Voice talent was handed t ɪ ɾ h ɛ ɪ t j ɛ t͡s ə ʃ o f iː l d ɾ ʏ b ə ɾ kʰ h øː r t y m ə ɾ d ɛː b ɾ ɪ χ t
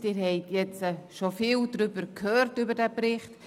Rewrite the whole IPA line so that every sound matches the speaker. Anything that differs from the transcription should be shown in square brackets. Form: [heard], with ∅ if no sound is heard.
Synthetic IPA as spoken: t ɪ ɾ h ɛ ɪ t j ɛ t͡s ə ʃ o f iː l d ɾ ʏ b ə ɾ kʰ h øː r t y [b] ə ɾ d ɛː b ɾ ɪ χ t